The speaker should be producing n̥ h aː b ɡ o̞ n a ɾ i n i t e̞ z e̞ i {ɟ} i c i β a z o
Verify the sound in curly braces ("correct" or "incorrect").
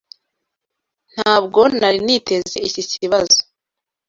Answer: incorrect